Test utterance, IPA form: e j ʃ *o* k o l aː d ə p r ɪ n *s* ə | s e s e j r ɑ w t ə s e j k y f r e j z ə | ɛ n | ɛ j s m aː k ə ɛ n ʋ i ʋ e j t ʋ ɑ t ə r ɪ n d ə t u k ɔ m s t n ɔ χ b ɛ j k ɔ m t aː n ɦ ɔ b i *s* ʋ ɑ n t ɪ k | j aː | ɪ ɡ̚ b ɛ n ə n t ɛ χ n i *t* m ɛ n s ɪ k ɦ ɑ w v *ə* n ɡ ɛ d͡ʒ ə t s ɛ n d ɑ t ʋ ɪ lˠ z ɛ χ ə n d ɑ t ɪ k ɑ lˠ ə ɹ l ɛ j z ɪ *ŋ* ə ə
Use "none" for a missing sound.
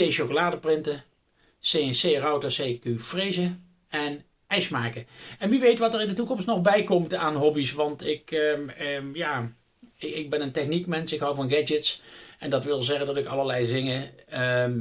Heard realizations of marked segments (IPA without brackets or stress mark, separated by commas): o, t, s, k, ɑ, ŋ